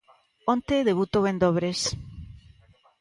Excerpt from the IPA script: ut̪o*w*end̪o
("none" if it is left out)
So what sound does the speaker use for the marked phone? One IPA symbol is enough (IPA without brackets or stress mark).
β